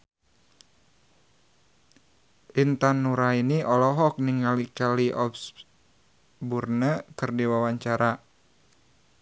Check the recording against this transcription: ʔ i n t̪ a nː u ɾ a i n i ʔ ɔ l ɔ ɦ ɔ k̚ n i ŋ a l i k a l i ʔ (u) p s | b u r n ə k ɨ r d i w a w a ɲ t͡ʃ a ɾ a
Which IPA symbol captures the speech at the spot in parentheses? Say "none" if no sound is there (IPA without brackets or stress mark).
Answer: ɔ